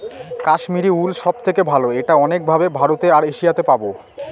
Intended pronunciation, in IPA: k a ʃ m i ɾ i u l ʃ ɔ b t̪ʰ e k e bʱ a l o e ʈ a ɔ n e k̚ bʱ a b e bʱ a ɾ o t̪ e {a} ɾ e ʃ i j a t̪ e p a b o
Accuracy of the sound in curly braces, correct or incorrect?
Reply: correct